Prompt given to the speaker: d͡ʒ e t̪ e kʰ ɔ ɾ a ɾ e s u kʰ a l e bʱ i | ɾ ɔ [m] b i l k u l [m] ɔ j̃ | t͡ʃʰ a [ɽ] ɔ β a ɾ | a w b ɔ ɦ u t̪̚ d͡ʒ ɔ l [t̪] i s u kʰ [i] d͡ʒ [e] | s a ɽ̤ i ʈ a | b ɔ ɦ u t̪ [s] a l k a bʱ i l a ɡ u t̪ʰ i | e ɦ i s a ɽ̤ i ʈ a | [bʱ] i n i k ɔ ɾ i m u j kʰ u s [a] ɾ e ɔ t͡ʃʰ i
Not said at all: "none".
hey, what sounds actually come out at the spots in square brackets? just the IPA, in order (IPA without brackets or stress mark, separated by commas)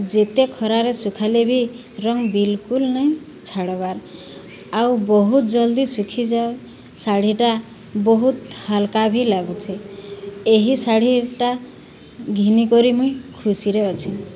ŋ, n, ɽ, d̪, i, a, h, ɡʱ, i